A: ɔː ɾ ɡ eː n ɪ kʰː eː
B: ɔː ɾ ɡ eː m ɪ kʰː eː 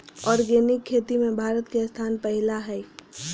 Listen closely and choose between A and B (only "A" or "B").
A